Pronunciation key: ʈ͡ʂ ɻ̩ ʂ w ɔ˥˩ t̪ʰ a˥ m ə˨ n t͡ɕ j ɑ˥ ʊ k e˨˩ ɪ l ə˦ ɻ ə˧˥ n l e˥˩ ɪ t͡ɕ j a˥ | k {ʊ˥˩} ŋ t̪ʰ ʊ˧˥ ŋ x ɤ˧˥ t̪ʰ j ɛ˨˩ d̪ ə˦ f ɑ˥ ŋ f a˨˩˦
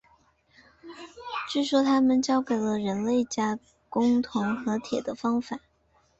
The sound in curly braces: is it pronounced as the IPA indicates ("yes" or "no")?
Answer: no